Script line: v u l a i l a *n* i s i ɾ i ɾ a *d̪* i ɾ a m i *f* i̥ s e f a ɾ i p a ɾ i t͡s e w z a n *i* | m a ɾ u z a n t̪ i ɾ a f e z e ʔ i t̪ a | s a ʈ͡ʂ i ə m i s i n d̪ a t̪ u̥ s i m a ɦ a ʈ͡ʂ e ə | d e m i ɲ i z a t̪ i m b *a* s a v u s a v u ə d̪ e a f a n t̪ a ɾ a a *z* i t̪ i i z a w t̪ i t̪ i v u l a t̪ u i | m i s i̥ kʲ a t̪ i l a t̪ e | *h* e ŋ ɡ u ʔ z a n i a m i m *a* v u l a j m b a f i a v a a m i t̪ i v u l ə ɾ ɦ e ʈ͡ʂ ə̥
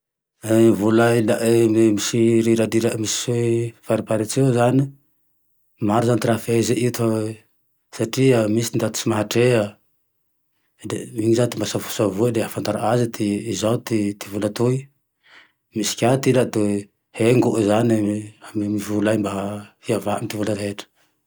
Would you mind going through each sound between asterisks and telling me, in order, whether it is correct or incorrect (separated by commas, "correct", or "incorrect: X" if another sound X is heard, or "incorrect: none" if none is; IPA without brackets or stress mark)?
incorrect: m, correct, incorrect: s, correct, correct, correct, correct, incorrect: i